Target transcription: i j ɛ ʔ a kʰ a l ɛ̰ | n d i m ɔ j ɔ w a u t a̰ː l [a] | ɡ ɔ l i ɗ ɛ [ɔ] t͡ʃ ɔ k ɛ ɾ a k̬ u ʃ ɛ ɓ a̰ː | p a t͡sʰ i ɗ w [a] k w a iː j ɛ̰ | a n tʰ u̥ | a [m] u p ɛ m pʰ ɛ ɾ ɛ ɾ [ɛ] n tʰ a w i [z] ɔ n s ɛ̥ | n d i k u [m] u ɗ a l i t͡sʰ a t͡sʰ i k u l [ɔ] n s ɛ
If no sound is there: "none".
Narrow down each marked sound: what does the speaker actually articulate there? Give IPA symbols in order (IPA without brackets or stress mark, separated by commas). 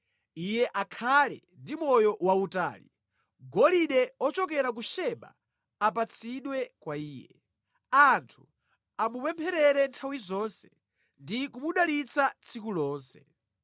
i, ɔ, ɛ, m, ɛ, z, m, ɔː